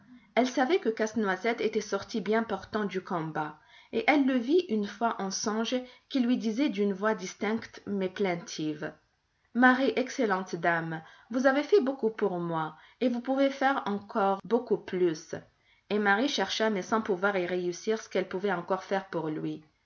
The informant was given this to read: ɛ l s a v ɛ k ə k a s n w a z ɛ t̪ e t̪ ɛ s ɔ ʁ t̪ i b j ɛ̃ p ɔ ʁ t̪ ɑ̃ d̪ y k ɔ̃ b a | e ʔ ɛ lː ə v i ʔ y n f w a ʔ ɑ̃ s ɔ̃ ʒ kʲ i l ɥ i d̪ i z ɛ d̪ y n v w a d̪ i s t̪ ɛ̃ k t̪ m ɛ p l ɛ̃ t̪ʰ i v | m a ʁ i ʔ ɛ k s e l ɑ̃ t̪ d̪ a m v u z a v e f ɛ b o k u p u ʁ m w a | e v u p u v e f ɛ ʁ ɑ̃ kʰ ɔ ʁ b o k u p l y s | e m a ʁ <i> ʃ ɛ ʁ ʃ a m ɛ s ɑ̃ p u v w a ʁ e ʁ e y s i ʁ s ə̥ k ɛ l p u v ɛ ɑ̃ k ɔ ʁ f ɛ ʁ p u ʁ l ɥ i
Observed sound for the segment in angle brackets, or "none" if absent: i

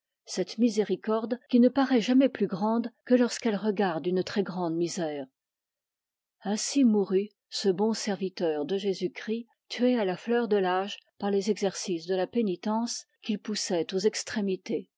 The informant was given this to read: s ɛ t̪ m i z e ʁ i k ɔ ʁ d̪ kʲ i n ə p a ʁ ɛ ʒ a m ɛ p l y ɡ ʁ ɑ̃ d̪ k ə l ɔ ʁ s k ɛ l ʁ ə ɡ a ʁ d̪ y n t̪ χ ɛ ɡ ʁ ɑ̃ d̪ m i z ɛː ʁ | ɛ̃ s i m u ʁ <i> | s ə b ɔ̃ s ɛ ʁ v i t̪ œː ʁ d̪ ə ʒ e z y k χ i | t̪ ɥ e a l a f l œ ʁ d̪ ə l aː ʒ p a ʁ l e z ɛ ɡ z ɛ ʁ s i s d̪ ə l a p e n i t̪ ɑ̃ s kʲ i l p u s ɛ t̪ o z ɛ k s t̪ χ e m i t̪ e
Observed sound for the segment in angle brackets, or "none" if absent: y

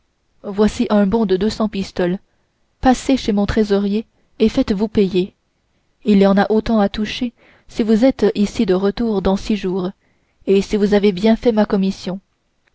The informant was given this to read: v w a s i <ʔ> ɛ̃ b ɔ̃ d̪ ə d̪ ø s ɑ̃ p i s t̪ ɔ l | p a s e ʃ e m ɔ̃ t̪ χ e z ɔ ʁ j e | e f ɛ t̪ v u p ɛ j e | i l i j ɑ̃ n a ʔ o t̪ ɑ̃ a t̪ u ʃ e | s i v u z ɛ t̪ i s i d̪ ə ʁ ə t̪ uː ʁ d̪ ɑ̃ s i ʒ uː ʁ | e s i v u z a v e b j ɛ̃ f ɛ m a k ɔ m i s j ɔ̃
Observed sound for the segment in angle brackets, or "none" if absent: ʔ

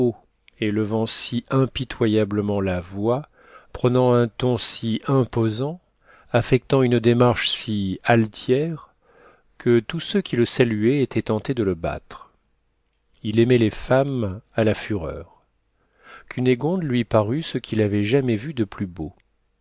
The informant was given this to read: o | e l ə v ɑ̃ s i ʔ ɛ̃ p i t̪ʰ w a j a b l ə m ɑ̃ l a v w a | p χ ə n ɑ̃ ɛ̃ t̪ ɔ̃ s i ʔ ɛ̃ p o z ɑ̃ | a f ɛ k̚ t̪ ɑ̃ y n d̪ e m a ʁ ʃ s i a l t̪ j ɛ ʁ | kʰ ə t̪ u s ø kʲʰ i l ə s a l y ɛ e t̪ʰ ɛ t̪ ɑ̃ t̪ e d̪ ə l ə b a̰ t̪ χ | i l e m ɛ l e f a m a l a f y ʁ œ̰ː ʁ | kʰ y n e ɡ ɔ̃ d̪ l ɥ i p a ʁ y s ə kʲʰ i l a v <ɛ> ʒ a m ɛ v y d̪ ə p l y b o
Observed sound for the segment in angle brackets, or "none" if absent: ɛ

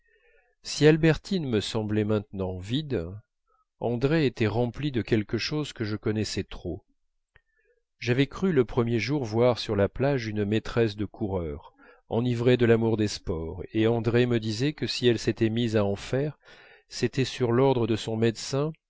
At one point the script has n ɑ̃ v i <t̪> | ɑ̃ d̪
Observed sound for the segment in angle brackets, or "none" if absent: d̪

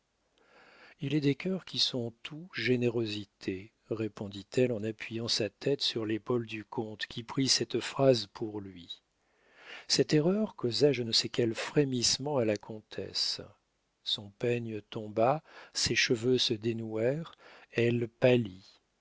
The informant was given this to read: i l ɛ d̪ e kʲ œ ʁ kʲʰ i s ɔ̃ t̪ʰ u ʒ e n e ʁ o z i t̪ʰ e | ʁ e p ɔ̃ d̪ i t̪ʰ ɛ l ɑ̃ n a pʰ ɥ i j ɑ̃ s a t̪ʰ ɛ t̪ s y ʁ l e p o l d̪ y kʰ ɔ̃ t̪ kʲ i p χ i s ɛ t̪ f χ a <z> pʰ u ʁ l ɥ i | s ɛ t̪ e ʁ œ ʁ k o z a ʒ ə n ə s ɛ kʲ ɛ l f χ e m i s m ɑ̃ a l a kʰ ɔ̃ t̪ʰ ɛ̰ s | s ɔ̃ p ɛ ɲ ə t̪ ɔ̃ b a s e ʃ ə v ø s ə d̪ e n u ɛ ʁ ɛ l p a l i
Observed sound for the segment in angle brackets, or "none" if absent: z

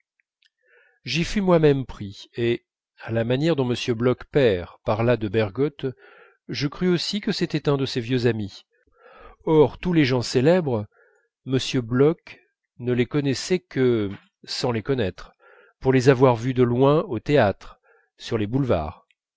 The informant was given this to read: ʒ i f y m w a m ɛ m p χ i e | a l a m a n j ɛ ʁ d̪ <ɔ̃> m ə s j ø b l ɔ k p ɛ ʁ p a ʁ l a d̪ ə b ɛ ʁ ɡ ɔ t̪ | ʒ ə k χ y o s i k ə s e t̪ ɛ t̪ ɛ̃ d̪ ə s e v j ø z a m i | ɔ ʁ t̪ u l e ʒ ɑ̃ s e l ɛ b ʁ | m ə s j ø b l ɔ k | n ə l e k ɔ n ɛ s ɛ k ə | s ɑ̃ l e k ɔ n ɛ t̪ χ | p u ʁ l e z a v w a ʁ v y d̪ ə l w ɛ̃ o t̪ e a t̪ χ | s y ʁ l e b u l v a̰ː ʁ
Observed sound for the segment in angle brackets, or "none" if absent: ɔ̃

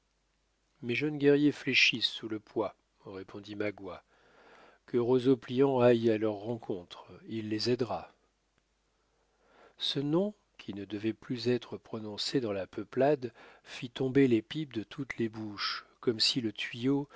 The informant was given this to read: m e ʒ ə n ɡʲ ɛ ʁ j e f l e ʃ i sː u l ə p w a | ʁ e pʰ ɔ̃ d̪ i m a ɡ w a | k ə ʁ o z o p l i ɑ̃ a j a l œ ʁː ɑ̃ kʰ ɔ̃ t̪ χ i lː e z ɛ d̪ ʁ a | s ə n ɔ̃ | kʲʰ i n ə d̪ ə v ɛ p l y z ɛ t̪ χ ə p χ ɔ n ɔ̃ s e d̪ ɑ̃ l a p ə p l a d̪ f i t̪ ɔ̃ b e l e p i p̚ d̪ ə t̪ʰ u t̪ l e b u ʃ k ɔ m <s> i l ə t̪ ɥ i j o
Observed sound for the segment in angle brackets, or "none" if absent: s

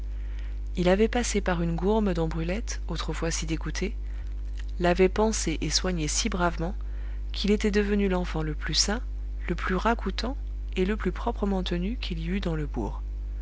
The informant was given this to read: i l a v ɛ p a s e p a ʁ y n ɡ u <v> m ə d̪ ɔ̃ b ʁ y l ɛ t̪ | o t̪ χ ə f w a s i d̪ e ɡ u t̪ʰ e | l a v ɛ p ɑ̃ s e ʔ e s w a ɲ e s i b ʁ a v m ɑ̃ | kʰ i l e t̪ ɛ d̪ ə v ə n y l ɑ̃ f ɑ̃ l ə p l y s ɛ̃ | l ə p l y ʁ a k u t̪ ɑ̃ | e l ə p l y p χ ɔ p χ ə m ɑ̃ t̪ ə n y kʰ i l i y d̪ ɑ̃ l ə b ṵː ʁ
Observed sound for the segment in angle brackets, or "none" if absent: ʁ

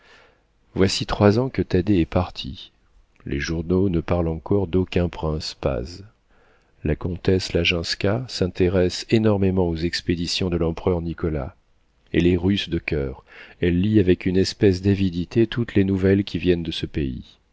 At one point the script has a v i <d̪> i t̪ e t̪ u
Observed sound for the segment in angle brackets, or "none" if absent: d̪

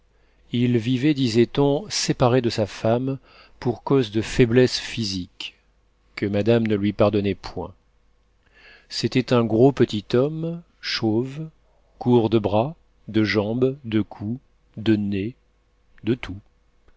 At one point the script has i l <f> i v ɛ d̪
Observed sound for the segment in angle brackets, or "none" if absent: v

